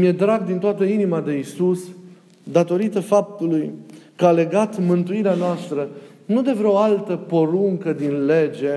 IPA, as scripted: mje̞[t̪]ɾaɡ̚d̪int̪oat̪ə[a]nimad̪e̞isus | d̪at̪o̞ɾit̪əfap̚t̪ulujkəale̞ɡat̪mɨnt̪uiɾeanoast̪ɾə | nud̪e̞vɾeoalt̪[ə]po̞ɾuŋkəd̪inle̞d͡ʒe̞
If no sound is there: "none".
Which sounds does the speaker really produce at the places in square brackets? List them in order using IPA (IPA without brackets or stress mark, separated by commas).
d̪, i, ə